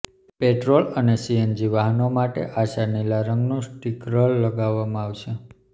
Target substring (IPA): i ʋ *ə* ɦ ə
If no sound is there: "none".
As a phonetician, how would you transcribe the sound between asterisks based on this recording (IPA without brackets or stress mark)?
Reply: a